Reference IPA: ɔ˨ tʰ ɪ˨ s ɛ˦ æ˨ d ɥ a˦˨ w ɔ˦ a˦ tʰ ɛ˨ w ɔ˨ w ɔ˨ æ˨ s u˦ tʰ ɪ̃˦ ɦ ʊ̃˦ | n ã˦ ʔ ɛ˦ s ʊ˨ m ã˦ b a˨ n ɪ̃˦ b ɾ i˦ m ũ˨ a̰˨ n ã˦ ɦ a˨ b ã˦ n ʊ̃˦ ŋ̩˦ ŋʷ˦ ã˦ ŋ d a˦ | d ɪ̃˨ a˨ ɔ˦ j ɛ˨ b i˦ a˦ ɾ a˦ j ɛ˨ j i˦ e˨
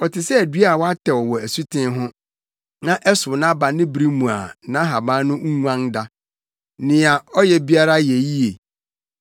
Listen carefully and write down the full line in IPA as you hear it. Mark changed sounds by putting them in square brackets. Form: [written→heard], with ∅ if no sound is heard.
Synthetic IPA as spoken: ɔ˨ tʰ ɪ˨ s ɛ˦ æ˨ d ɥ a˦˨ w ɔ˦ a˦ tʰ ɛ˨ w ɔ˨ w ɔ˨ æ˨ s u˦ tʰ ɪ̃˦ ɦ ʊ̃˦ | n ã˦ ʔ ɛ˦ s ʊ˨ [m→n] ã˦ b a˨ n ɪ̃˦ b ɾ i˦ m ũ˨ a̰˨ n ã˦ ɦ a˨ b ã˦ n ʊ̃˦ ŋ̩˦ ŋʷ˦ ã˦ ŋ d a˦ | [d→n] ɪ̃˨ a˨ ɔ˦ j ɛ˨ b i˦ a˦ ɾ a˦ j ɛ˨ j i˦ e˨

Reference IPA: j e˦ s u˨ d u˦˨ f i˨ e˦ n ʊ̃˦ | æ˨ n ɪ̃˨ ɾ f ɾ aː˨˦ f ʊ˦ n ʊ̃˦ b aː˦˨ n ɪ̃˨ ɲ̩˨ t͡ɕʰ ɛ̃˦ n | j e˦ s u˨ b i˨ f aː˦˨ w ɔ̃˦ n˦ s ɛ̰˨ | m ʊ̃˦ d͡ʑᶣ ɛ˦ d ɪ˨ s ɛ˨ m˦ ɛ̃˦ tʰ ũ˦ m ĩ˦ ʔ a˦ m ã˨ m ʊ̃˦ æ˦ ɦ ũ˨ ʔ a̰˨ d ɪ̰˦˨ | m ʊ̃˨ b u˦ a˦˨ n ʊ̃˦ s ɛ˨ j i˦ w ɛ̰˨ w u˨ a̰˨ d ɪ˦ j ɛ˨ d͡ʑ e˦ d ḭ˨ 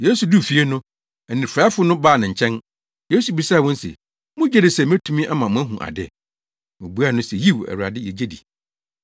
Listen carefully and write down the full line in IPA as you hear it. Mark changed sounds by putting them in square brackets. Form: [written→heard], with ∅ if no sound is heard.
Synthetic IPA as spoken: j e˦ s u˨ d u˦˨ f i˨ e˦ n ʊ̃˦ | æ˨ n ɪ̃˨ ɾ f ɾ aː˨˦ f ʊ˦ n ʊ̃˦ b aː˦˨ n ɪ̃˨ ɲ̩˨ t͡ɕʰ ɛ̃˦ n | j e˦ s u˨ b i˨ [f→s] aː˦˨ w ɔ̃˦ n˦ s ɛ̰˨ | m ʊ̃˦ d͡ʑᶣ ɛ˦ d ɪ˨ s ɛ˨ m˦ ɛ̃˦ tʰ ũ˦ m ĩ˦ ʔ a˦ m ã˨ m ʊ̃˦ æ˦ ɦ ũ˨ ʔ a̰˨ d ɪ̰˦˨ | m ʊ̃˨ b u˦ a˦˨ n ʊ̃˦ s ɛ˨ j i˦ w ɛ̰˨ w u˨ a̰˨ d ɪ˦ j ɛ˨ d͡ʑ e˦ d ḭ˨

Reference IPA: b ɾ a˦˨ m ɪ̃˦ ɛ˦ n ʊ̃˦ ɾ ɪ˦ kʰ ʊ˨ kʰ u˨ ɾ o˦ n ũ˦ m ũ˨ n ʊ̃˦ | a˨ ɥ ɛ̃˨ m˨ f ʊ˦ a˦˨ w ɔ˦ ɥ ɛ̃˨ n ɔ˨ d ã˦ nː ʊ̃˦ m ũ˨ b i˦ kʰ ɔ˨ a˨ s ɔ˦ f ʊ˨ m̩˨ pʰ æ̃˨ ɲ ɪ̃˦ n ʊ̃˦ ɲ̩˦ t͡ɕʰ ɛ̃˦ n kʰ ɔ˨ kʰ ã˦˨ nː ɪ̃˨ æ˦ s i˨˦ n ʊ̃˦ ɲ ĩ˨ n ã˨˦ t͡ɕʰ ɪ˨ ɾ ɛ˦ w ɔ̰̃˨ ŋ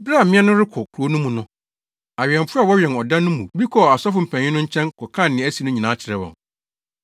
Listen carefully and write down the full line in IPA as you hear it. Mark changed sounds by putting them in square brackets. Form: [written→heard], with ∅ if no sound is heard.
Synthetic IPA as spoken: b ɾ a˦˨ m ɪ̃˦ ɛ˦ n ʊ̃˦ ɾ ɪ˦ kʰ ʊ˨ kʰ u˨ ɾ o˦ n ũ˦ m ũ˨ n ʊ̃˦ | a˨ ɥ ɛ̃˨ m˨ f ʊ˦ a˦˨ w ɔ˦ ɥ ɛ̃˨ n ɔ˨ d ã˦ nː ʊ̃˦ m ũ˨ b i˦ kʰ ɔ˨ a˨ s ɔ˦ f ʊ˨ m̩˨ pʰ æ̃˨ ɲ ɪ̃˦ n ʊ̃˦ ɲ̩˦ t͡ɕʰ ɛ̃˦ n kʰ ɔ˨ kʰ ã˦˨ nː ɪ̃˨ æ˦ s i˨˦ n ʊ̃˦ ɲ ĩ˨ n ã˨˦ t͡ɕʰ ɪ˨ ɾ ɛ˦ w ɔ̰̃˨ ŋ

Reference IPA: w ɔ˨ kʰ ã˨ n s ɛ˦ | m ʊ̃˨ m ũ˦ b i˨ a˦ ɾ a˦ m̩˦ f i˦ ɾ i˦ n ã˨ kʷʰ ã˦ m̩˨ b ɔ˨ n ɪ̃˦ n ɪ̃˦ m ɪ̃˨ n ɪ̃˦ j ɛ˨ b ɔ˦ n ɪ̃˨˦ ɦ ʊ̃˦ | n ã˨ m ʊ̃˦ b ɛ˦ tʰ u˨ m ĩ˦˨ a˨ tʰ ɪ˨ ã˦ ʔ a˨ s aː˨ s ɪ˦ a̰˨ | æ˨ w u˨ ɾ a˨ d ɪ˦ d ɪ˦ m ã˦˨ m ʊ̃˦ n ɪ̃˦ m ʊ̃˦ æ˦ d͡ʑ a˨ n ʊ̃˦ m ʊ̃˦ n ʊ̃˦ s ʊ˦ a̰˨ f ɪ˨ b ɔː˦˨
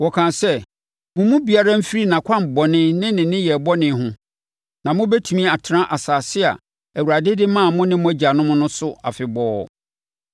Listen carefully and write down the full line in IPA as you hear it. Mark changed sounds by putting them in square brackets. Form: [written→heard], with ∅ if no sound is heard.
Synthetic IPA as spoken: w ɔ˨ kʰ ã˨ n s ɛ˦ | m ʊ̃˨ m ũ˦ b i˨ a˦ ɾ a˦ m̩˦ f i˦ ɾ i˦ n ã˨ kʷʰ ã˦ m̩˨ b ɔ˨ n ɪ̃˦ n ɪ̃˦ [m→n] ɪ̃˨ n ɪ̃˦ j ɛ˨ b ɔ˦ n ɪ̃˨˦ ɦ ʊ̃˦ | n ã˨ m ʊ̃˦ b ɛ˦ tʰ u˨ m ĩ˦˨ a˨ tʰ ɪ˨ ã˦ ʔ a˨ s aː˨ s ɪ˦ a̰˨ | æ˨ w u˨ ɾ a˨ d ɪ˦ d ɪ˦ m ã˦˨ m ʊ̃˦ n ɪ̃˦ m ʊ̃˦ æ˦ d͡ʑ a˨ n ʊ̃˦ m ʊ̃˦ n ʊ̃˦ s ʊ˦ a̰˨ f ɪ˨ b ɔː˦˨

